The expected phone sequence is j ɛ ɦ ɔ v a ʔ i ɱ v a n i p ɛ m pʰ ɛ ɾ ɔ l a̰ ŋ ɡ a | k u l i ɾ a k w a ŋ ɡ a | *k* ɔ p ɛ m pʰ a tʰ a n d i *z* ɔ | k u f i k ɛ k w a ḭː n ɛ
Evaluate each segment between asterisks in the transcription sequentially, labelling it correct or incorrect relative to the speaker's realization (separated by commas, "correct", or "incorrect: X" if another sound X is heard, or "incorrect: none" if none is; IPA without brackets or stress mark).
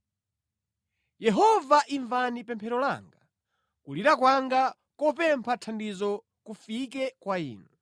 correct, correct